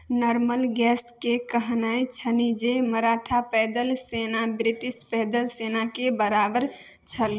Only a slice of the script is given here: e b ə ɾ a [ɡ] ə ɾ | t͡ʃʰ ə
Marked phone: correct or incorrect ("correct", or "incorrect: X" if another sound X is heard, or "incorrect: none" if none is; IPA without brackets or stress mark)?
incorrect: b